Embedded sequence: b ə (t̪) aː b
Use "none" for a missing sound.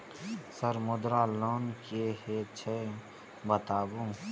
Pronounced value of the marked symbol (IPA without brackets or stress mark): t̪